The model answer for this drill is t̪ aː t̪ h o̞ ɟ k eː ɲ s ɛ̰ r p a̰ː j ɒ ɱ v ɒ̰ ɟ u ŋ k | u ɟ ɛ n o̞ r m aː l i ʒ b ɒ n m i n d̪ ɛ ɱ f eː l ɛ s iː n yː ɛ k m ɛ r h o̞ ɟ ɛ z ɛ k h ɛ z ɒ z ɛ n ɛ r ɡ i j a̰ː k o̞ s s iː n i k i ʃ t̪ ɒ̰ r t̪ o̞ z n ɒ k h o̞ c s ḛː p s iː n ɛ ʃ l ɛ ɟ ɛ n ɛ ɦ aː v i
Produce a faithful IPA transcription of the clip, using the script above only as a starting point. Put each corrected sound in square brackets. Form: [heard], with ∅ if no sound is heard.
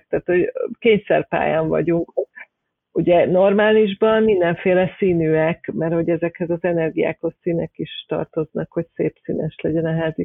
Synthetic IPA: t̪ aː t̪ h o̞ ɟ k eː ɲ s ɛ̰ r p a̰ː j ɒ ɱ v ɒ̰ ɟ u ŋ k | u ɟ ɛ n o̞ r m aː l i ʒ b ɒ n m i n d̪ ɛ ɱ f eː l ɛ s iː n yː ɛ k m ɛ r h o̞ ɟ ɛ z ɛ k h ɛ z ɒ z ɛ n ɛ r ɡ i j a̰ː k o̞ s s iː n [ɛ] k i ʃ t̪ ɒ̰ r t̪ o̞ z n ɒ k h o̞ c s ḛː p s iː n ɛ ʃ l ɛ ɟ ɛ n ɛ ɦ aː [z] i